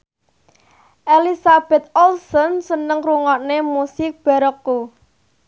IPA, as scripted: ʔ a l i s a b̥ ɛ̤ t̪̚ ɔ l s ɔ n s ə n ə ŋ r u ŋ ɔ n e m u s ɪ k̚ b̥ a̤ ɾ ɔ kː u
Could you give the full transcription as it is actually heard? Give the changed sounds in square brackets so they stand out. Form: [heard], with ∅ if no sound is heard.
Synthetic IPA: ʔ [e] l i s a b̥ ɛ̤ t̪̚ ɔ l s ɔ n s ə n ə ŋ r u ŋ ɔ n e m u s ɪ k̚ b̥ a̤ ɾ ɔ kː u